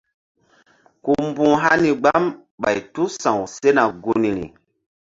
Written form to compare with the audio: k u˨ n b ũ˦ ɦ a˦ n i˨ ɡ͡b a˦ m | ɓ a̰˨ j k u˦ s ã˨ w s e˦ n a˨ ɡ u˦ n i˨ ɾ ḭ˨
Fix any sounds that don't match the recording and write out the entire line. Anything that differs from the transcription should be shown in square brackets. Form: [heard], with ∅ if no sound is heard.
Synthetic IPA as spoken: k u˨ [m] b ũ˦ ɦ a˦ n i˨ ɡ͡b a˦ m | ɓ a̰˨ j [t] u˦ s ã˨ w s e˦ n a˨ ɡ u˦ n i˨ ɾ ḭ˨